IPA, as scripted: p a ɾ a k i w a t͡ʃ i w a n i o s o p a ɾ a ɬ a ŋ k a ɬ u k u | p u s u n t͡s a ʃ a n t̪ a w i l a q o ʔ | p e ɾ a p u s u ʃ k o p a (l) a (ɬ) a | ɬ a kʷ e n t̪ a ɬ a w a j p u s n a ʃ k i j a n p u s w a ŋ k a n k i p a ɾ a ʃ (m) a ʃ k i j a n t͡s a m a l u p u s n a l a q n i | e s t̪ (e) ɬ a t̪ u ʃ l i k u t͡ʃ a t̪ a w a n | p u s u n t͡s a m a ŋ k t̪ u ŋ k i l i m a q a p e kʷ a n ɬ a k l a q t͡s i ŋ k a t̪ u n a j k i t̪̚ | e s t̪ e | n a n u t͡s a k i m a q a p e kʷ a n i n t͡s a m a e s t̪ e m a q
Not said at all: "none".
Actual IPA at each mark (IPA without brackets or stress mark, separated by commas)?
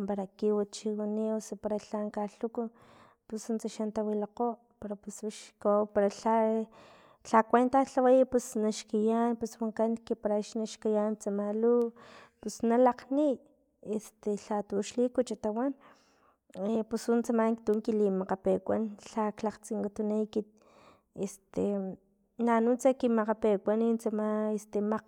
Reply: ɾ, ɬ, n, e